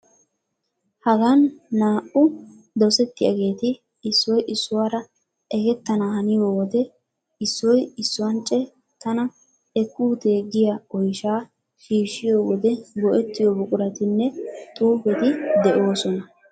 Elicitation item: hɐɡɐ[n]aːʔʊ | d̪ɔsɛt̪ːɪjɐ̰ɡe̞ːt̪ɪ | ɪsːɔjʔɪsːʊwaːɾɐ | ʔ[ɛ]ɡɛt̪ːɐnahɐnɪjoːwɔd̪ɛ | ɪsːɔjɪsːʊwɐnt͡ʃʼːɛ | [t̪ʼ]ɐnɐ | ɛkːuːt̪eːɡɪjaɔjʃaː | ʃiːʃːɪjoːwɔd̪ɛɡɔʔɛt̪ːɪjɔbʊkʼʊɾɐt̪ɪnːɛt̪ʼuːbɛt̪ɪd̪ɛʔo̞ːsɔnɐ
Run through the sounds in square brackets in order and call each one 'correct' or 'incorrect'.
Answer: incorrect, correct, incorrect

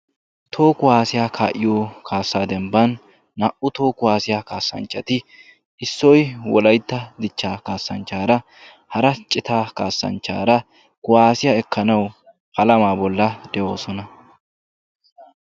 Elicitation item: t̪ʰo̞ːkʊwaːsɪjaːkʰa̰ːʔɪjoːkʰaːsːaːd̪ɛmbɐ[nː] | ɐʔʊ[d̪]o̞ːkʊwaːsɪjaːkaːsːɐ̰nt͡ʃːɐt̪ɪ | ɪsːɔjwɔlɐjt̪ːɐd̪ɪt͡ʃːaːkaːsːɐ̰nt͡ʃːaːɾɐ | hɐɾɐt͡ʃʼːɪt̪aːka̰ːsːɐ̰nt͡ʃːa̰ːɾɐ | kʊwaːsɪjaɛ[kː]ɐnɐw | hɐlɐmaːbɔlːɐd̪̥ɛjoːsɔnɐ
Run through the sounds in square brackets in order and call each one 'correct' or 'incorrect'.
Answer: correct, incorrect, correct

